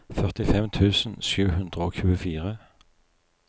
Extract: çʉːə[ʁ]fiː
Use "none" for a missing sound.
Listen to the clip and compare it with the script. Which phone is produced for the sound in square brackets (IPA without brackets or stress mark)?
none